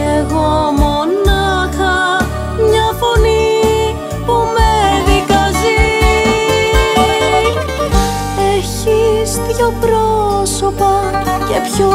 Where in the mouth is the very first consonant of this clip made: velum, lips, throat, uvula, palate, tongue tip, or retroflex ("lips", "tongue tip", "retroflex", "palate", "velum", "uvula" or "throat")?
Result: velum